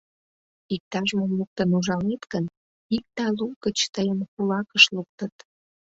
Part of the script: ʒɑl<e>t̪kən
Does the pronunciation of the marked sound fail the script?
no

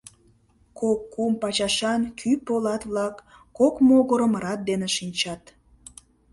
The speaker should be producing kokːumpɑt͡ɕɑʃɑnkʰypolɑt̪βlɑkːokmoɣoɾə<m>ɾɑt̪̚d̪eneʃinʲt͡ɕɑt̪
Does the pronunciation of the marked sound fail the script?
no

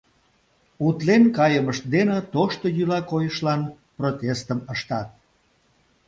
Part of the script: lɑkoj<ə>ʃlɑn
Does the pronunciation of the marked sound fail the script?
no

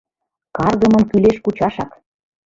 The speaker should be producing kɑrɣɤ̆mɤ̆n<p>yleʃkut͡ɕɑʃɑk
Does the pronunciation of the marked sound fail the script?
yes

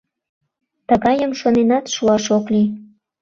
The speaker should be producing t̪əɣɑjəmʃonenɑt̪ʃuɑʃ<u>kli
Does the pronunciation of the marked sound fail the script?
yes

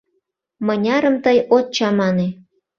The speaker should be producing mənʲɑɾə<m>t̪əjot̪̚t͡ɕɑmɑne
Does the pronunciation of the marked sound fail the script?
no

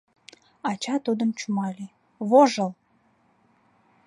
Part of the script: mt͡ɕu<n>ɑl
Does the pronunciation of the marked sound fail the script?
yes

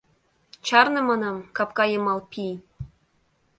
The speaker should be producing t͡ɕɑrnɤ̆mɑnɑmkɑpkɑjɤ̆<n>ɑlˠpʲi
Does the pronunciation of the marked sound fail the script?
yes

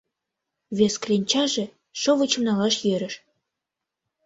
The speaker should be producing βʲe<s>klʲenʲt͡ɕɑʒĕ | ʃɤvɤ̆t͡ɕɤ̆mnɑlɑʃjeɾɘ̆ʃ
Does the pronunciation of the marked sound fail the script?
no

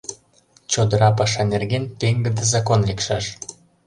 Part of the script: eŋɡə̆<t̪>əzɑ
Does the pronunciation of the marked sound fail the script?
yes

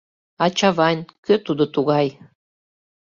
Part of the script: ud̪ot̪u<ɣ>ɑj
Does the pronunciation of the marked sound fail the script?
no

